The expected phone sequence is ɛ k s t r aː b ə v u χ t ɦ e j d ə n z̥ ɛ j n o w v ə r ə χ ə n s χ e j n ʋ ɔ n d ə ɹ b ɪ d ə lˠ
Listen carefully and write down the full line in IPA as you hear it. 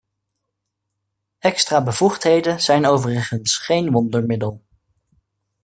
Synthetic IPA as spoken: ɛ k s t r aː b ə v u χ t ɦ e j d ə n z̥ ɛ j n o w v ə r ə χ ə n s χ e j n ʋ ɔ n d ə ɹ m ɪ d ə lˠ